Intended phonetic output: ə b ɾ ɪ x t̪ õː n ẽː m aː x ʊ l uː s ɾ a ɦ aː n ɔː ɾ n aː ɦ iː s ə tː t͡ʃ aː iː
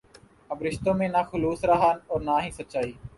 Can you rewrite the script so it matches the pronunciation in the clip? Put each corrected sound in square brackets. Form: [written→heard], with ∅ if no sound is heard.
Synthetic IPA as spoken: ə b ɾ ɪ [x→ʃ] t̪ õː [n→m] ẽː [m→n] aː x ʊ l uː s ɾ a ɦ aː n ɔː ɾ n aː ɦ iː s ə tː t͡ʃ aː iː